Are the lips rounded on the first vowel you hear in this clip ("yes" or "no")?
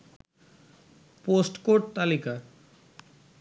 yes